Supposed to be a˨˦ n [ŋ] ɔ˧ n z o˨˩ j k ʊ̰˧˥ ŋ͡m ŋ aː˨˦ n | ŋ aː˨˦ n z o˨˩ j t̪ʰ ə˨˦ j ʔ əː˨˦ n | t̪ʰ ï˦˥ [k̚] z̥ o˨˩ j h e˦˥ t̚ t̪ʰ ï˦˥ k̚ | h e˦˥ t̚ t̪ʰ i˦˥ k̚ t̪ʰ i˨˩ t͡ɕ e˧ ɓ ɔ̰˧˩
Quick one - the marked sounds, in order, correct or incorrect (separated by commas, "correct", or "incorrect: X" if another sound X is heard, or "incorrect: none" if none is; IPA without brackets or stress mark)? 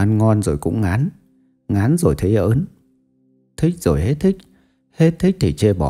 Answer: correct, correct